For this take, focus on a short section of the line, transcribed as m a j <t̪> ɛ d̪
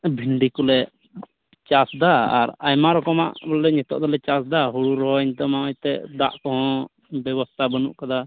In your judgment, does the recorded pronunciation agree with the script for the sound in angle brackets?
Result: yes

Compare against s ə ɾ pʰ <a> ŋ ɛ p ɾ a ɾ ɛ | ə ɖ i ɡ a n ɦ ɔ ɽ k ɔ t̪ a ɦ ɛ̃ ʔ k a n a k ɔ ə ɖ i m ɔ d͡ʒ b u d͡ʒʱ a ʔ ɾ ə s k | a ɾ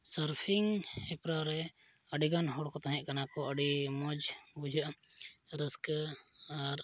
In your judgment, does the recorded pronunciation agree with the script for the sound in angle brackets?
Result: no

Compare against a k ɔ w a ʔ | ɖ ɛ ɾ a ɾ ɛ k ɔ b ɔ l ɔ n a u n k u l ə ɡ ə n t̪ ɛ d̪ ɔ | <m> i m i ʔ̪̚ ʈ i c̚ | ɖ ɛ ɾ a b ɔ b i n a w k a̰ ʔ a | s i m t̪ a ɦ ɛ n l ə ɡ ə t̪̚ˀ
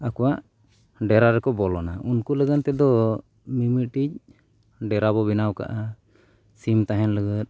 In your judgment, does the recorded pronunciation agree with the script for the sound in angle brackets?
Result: yes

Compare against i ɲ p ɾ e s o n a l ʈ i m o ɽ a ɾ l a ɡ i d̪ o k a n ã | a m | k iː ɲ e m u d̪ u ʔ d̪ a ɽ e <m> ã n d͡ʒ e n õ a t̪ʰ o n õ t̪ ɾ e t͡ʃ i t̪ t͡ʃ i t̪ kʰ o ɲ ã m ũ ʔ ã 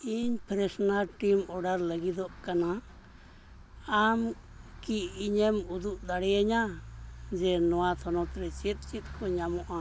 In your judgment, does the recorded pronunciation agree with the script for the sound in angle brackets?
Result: no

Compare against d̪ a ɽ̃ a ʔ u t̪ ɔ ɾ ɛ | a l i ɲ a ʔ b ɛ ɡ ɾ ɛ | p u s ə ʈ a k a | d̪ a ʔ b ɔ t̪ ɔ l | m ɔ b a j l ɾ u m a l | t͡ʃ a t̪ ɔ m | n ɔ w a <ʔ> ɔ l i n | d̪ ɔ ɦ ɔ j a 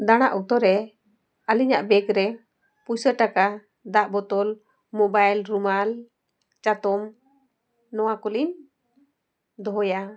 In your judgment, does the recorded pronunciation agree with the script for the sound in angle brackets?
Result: no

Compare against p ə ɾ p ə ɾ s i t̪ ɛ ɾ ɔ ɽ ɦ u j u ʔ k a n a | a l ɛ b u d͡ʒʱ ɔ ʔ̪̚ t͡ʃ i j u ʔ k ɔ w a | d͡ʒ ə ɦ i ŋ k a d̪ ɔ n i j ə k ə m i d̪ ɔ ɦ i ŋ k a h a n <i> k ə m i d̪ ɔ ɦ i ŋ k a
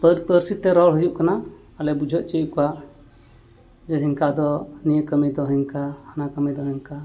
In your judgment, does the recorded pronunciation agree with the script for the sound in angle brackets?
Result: no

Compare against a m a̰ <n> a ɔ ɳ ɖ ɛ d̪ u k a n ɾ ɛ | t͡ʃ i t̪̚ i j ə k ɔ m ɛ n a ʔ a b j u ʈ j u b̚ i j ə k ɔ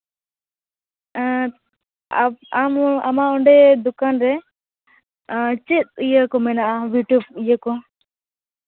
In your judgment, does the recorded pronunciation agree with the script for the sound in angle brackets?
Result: no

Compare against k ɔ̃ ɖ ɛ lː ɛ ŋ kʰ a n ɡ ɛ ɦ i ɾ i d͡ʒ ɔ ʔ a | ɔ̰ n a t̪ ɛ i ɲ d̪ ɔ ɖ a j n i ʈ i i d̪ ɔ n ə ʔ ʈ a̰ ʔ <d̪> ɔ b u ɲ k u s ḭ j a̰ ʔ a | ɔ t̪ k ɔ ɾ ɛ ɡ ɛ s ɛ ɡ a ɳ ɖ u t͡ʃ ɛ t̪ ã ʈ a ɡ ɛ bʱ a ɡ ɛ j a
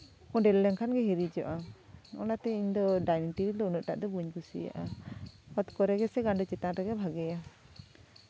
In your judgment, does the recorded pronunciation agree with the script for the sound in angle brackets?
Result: yes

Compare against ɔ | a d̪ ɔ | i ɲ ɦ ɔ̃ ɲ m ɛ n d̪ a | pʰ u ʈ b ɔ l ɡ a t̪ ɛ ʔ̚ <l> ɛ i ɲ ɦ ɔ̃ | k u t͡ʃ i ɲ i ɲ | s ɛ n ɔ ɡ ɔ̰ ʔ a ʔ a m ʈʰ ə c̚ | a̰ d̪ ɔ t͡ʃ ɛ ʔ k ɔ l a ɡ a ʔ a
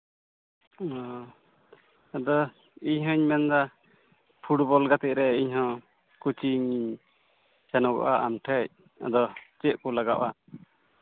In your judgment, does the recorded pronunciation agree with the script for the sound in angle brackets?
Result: no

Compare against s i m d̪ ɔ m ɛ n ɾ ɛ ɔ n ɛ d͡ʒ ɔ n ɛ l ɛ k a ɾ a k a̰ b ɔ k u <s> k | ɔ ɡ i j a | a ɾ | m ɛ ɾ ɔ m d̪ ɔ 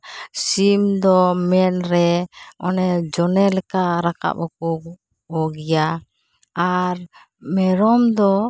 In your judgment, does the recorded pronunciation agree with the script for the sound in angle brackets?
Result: no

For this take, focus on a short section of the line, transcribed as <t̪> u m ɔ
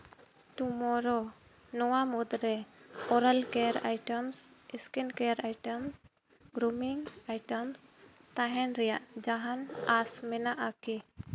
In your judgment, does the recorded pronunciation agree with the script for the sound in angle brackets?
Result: yes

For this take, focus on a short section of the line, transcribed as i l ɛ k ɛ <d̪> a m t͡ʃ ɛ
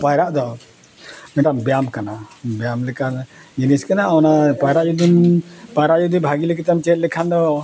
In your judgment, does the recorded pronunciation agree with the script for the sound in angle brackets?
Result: no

